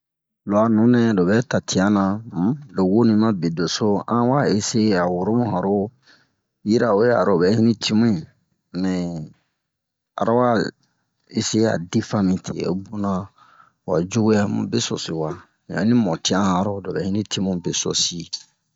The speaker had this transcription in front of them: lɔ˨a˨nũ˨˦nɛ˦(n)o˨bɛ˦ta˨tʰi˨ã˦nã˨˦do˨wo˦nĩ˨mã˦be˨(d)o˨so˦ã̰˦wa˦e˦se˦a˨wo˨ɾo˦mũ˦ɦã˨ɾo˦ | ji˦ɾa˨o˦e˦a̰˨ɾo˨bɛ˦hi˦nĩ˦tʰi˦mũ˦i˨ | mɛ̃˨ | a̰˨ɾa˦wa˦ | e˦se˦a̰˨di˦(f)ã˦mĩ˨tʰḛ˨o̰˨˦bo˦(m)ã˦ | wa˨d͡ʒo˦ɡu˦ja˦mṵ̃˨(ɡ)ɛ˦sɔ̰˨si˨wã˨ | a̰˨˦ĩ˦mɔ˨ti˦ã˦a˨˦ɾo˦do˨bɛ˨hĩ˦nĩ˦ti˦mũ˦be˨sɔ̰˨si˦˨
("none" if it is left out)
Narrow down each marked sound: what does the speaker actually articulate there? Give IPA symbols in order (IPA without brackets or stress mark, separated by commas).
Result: d, d, f, n, b